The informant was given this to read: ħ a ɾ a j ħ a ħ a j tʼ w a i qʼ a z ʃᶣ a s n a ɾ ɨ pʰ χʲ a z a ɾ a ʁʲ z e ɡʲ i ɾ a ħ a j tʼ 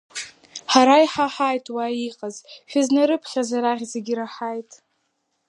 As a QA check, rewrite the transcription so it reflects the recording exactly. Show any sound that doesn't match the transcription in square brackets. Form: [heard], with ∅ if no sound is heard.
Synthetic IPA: ħ a ɾ a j ħ a ħ a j tʼ w a i qʼ a z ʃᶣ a [z] n a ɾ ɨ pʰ χʲ a z a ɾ a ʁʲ z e ɡʲ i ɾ a ħ a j tʼ